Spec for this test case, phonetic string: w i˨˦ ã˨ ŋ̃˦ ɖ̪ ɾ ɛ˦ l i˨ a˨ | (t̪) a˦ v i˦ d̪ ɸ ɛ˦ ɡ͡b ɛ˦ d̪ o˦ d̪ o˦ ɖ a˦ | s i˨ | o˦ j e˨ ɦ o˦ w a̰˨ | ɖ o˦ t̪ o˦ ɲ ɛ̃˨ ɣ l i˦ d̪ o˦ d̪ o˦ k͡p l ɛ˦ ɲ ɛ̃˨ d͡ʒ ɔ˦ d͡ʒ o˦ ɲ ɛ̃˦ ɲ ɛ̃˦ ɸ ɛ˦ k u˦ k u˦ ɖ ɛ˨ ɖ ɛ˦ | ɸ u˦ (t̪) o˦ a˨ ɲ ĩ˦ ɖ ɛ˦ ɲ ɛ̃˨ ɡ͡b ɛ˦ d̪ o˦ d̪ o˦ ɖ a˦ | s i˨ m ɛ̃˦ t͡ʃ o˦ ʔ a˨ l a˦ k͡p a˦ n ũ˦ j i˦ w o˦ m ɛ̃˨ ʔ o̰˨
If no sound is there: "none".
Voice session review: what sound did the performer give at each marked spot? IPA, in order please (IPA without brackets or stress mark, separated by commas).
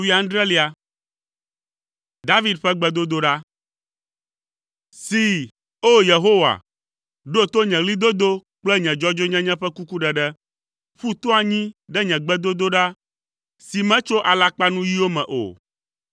d̪, t̪